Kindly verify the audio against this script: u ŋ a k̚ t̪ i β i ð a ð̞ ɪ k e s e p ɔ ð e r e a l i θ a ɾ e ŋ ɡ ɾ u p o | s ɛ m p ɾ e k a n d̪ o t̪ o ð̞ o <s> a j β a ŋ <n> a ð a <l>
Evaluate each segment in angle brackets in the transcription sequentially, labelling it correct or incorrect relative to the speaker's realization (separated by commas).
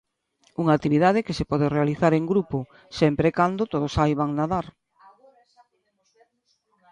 correct, correct, incorrect